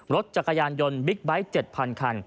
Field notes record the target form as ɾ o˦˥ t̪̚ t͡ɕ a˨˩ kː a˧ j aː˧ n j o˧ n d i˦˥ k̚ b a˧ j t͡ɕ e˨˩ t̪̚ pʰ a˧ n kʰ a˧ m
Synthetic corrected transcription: ɾ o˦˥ t̪̚ t͡ɕ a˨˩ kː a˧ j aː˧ n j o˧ n b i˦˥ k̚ b a˦˥ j t͡ɕ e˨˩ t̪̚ pʰ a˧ n kʰ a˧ n